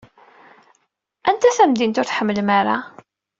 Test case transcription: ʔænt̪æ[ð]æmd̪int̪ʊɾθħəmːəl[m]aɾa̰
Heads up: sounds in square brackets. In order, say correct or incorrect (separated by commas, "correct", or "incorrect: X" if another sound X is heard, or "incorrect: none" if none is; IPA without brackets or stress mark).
incorrect: θ, correct